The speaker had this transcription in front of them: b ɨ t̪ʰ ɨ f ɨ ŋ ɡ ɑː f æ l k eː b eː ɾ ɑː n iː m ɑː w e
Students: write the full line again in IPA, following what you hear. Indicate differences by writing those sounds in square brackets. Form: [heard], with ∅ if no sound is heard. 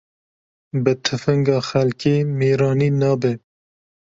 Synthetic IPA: b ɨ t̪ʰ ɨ f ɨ ŋ ɡ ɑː [x] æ l k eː [m] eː ɾ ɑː n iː [n] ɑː [b] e